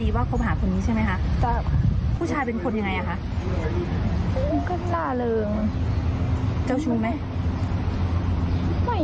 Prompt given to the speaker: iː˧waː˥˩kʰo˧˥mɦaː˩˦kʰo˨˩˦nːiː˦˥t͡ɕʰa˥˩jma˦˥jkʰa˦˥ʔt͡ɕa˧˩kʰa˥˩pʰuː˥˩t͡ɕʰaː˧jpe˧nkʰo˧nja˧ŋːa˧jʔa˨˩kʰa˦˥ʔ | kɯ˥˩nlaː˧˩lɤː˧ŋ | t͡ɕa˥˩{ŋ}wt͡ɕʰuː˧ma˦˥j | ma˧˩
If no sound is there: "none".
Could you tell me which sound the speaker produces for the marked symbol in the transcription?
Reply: none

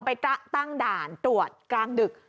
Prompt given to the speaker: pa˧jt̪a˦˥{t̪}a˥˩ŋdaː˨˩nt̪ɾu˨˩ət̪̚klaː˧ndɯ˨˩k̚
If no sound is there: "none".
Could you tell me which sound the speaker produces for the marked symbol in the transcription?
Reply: t̪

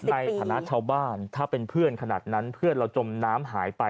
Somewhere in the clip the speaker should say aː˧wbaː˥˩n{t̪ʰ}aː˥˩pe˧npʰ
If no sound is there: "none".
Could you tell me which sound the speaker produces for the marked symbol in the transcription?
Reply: t̪ʰ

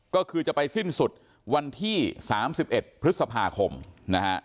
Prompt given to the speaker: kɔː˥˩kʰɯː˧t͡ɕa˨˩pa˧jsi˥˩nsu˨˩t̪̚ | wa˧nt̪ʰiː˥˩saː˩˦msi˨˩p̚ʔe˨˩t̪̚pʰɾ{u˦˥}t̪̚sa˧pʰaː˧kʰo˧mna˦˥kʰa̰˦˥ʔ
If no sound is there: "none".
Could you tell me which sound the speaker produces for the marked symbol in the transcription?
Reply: ɯ˦˥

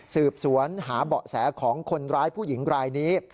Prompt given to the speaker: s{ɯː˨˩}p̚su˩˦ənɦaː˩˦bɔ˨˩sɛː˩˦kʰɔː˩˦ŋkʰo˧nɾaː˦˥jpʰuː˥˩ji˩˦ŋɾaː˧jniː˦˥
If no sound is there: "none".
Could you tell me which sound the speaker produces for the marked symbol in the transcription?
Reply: ɯː˨˩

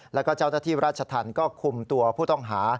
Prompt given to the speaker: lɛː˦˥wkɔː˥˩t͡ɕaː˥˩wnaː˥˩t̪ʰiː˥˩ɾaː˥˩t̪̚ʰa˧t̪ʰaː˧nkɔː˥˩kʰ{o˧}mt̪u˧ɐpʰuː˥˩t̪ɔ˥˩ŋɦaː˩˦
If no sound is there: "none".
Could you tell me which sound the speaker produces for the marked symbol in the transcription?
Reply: u˧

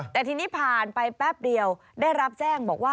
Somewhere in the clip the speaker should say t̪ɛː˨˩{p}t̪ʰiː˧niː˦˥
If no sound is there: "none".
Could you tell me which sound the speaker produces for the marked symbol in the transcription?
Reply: none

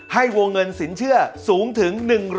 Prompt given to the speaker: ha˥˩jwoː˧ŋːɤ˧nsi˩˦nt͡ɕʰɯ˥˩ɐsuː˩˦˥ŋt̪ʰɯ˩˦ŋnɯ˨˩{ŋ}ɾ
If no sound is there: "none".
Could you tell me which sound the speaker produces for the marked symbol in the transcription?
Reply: ŋ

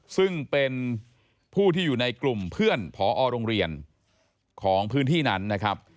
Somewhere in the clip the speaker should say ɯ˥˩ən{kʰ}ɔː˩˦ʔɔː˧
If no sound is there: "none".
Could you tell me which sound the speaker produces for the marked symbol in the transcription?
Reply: pʰ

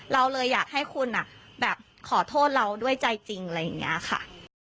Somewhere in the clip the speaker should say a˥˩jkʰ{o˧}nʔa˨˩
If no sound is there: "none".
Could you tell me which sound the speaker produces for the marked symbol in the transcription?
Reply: u˧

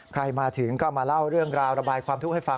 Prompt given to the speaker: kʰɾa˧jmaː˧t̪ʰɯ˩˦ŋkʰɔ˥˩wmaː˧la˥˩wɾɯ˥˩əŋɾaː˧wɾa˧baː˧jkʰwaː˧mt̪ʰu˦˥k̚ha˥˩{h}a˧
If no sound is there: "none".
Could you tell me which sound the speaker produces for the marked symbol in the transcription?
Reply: f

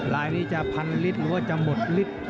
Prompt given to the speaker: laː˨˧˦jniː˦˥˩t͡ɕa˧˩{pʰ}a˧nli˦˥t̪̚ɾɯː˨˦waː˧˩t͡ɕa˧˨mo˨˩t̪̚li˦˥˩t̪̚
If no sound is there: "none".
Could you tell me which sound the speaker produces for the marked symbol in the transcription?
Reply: pʰ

